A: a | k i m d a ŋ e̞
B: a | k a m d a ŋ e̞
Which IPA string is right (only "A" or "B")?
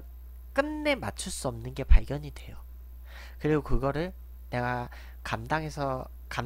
B